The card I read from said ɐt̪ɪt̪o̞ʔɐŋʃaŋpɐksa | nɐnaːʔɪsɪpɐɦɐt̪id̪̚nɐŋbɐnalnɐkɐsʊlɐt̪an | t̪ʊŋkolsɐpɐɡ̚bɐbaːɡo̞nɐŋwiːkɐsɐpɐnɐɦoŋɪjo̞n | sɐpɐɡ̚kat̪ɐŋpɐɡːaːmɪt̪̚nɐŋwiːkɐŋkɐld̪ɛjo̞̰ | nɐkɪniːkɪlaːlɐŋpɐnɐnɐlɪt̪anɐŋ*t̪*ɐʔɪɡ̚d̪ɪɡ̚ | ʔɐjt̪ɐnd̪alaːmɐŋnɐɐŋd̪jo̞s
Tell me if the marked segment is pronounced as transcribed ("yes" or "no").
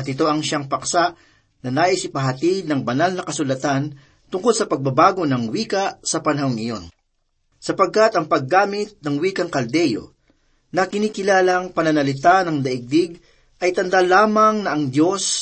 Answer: no